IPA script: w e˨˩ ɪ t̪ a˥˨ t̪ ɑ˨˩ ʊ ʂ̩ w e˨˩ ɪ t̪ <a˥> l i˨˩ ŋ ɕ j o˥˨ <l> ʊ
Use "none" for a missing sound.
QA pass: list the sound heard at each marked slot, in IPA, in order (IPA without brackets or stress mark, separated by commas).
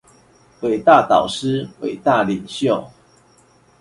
a˥˨, none